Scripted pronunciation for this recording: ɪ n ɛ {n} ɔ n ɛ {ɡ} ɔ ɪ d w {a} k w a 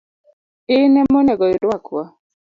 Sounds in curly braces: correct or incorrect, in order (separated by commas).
incorrect, correct, correct